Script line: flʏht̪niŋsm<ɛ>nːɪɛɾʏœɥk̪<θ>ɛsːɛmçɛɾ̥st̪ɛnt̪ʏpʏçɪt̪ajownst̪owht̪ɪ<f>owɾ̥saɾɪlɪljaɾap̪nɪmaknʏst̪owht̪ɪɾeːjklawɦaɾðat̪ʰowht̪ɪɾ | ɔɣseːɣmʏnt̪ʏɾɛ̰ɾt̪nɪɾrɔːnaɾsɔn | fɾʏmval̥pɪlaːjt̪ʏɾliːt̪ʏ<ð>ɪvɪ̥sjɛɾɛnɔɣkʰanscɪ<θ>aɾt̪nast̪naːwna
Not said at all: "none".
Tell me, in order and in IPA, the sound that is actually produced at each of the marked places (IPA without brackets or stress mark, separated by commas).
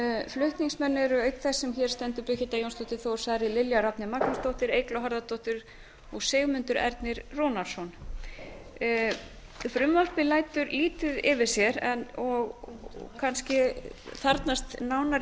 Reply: ɛ, θ, θ, ð, θ